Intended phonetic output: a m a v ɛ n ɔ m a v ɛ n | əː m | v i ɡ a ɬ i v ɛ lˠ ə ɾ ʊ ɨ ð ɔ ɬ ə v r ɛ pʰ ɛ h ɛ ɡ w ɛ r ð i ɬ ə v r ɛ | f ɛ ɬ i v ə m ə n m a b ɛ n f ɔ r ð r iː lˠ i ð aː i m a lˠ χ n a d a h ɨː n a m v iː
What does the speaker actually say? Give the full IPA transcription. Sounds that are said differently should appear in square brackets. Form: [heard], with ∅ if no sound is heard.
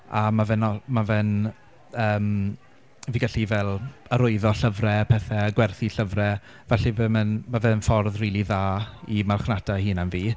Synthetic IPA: a m a v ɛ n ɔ m a v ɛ n | əː m | v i ɡ a ɬ i v ɛ lˠ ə ɾ ʊ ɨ ð ɔ ɬ ə v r ɛ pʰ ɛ [θ] ɛ ɡ w ɛ r [θ] i ɬ ə v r ɛ | [v] ɛ ɬ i v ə m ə n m a [v] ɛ n f ɔ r ð r iː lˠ i ð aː i m a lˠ χ n a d a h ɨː n a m v iː